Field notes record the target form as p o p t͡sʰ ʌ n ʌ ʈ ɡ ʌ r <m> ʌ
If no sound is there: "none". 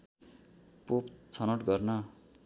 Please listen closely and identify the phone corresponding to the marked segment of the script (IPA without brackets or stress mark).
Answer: n